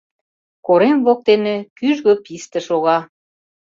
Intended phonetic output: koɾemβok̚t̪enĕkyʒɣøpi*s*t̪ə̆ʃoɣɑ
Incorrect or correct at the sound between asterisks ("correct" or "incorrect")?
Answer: correct